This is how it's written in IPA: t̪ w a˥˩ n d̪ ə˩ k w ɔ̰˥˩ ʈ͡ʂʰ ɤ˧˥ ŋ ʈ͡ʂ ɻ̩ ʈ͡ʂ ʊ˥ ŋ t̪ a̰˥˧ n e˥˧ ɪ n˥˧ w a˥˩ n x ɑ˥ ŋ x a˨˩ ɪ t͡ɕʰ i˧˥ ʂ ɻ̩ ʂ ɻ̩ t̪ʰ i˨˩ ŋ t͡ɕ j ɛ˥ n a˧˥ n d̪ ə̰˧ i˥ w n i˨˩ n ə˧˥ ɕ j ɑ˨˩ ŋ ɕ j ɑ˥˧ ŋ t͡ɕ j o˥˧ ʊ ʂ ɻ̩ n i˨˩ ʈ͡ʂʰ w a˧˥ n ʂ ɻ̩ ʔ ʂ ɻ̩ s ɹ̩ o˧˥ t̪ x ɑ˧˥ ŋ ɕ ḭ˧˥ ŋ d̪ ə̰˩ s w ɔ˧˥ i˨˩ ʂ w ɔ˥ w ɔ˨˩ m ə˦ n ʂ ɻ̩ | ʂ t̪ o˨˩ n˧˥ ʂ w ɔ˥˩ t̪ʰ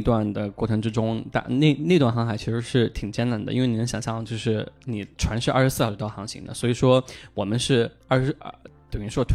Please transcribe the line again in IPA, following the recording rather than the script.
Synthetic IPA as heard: t̪ w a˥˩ n d̪ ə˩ k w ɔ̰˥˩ ʈ͡ʂʰ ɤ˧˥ ŋ ʈ͡ʂ ɻ̩ ʈ͡ʂ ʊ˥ ŋ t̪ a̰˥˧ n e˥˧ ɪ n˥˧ w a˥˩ n x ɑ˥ ŋ x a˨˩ ɪ t͡ɕʰ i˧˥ ʂ ɻ̩ ʂ ɻ̩ t̪ʰ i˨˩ ŋ t͡ɕ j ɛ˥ n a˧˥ n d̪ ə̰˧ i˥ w n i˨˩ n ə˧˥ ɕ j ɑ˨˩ ŋ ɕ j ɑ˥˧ ŋ t͡ɕ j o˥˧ ʊ ʂ ɻ̩ n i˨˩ ʈ͡ʂʰ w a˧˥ n ʂ ɻ̩ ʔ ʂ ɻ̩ s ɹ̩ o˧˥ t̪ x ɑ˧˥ ŋ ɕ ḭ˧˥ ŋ d̪ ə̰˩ s w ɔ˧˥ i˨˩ ʂ w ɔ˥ w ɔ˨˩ m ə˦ n ʂ ɻ̩ | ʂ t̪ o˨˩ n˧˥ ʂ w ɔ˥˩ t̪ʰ